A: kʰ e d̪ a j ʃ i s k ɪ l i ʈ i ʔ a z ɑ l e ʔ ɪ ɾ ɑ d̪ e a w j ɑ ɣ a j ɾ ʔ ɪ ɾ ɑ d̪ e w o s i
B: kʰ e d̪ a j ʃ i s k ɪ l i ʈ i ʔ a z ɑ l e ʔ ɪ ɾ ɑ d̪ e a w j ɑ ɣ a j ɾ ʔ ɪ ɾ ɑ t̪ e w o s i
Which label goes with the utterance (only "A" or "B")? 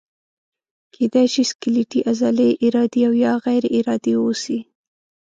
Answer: A